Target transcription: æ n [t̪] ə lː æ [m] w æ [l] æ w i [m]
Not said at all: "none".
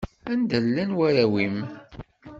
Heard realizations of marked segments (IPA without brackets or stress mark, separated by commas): d̪, n, ɾ, m